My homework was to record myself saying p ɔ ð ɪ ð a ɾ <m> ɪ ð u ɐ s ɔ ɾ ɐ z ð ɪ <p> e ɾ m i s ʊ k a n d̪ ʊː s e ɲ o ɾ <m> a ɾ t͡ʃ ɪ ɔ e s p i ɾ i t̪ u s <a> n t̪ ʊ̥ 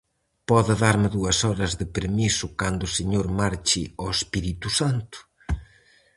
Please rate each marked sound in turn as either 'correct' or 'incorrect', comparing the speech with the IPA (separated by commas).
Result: correct, correct, correct, correct